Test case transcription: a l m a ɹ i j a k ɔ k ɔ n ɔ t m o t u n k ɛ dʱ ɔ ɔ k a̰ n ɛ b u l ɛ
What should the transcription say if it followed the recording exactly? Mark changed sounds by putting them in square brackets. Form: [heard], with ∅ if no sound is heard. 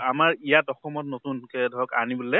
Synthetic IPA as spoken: a [∅] m a ɹ i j a [t] ɔ [x] ɔ [m] ɔ t [n] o t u n k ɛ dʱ ɔ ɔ k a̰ n [i] b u l ɛ